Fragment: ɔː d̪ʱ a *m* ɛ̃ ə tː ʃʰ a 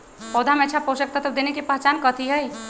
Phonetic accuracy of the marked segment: correct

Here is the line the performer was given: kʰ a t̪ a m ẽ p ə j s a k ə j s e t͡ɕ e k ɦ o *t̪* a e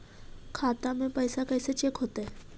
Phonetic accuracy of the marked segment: correct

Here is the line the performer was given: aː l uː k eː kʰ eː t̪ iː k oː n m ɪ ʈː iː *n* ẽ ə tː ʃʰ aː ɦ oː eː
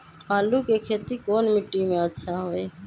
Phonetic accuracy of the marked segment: incorrect: m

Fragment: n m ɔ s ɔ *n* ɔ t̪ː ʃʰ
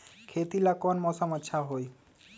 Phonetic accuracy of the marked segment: incorrect: m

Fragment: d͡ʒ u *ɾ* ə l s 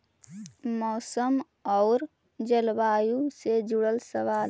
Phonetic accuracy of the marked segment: incorrect: ɽ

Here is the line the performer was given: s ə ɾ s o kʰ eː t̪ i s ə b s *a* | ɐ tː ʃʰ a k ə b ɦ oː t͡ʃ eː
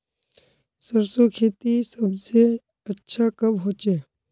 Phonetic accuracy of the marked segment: incorrect: e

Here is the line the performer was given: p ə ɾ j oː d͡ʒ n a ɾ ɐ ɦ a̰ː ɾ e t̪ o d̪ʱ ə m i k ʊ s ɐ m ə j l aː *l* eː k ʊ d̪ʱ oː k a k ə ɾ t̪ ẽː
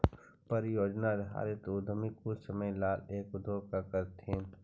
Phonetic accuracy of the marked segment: correct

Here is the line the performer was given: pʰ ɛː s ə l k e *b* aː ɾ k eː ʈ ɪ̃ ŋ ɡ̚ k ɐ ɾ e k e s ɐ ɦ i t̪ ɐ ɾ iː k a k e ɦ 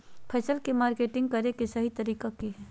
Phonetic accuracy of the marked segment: incorrect: m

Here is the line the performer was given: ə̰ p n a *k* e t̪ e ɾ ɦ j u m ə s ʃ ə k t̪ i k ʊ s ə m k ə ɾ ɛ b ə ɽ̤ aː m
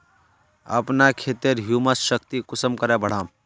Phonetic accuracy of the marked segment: incorrect: kʰ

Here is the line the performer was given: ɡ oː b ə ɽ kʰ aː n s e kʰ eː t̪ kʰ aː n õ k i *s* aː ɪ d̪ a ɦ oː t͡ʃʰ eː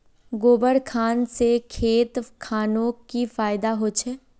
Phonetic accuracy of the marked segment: incorrect: f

